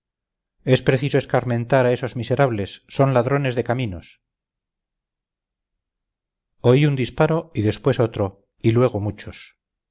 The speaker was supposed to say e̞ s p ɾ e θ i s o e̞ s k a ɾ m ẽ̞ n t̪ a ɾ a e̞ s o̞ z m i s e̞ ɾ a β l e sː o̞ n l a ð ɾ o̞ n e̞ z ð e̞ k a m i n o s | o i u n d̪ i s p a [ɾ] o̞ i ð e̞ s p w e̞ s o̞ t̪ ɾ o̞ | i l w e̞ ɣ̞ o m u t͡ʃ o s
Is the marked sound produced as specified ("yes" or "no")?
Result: yes